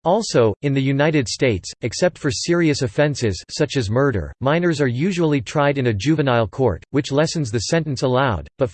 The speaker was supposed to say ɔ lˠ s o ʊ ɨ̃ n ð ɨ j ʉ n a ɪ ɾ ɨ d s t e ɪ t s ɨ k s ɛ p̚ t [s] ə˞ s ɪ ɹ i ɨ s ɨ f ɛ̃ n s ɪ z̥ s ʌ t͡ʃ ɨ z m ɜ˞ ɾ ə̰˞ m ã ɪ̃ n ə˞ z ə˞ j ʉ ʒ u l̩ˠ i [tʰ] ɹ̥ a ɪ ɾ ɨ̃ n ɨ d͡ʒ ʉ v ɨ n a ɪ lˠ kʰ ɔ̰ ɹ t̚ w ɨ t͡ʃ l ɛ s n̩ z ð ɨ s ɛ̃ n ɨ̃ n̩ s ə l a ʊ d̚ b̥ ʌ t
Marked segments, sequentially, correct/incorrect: incorrect, correct

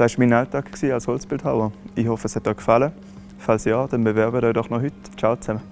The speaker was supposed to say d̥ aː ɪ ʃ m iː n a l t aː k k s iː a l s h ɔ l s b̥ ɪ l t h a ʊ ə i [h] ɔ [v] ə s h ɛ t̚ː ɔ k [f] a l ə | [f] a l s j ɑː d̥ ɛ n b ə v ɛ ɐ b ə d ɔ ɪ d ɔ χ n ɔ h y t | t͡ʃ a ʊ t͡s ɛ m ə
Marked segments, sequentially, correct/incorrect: correct, incorrect, correct, correct

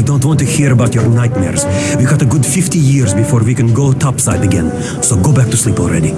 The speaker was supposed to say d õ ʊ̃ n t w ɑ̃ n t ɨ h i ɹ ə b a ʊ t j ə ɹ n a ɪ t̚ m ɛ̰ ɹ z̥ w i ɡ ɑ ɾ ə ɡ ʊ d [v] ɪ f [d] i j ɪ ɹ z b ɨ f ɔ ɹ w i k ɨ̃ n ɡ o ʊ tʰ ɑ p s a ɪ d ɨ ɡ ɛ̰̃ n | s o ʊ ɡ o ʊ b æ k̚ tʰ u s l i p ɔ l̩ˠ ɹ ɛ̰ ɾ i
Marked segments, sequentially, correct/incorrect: incorrect, incorrect

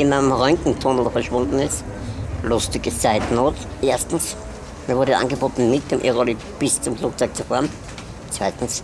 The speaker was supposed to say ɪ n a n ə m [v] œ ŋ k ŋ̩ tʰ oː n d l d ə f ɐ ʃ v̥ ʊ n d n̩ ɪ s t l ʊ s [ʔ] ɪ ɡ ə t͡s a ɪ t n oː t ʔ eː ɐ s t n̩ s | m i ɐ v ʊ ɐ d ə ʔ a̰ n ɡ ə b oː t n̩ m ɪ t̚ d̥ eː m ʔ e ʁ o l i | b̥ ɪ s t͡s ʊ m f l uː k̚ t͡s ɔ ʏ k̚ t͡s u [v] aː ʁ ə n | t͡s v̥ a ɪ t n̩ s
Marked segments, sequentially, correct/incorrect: incorrect, incorrect, incorrect

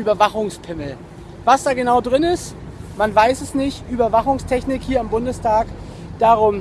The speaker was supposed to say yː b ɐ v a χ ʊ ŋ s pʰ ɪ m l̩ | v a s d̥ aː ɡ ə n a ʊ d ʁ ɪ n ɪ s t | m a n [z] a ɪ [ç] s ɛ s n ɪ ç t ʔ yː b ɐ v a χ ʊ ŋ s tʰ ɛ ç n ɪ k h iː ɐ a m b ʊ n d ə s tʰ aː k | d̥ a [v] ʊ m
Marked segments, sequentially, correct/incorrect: incorrect, incorrect, incorrect

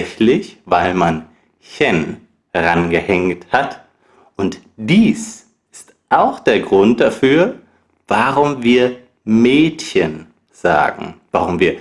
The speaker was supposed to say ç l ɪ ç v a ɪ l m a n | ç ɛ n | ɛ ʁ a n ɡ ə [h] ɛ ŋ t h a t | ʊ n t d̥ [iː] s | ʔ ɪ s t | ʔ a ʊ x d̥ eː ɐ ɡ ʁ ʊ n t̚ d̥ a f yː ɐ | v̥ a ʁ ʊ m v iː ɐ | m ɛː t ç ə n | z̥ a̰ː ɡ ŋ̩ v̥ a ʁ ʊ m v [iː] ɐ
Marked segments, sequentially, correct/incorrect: correct, correct, correct

